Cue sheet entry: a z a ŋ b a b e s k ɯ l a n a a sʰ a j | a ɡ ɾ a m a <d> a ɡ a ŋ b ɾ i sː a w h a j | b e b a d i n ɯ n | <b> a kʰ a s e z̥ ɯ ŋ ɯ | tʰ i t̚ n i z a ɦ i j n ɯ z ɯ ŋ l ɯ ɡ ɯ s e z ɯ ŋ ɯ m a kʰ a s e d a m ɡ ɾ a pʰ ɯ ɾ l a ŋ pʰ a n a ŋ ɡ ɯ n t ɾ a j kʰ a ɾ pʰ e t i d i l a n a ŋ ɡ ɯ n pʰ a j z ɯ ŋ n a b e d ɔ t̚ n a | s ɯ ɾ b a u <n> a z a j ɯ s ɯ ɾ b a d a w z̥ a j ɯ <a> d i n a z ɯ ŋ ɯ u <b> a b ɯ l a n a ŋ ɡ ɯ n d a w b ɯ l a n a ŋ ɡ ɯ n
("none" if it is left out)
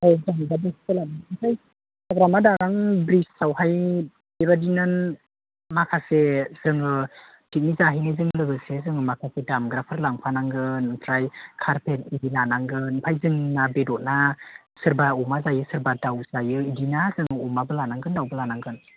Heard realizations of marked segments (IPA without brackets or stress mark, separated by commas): d, m, m, i, m